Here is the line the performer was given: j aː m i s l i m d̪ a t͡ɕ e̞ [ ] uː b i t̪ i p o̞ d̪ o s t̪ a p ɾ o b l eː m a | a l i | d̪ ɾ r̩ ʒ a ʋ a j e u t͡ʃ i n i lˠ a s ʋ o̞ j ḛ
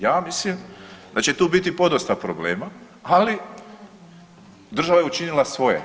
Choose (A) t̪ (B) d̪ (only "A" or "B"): A